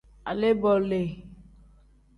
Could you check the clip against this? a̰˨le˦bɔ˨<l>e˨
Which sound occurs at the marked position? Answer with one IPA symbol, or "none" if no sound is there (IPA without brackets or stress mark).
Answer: l